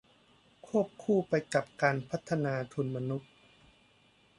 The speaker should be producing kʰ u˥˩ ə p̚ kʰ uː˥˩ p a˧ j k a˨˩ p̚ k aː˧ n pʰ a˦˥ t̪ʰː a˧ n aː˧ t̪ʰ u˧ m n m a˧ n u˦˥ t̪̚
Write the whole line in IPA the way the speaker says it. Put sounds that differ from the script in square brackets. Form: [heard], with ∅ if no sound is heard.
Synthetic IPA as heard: kʰ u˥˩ ə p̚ kʰ uː˥˩ p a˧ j k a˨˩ p̚ k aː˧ n pʰ a˦˥ t̪ʰː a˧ n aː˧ t̪ʰ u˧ [∅] n m a˧ n u˦˥ t̪̚